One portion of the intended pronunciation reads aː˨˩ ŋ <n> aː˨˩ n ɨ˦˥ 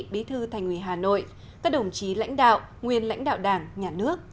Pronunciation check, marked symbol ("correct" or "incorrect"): incorrect